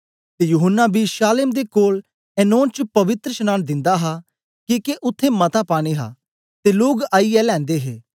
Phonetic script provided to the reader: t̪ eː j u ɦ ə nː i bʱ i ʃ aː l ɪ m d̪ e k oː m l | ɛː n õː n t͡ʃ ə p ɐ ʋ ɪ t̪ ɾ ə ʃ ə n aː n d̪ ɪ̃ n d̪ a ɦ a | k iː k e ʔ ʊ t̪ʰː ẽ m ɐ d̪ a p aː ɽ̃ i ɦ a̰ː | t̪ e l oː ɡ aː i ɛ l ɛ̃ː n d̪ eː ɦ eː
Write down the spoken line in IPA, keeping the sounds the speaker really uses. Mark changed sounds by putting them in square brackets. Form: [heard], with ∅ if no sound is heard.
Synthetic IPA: t̪ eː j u ɦ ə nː [a] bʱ i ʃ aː l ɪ m d̪ e k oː [∅] l | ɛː n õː n t͡ʃ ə p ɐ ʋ ɪ t̪ ɾ ə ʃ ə n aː n d̪ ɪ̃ n d̪ a ɦ a | k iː k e ʔ ʊ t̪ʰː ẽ m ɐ [t̪] a p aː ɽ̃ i ɦ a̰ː | t̪ e l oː ɡ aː i ɛ l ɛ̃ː n d̪ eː ɦ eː